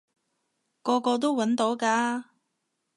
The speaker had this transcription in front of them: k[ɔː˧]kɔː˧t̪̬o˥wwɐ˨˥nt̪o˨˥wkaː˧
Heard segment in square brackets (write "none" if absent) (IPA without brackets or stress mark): ɔː˧